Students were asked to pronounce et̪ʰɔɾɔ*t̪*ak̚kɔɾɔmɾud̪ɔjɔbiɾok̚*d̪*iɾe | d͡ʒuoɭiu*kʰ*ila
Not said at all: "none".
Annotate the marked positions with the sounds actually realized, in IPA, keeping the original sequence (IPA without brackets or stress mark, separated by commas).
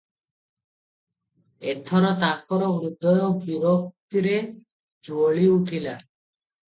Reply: t̪, t̪, ʈʰ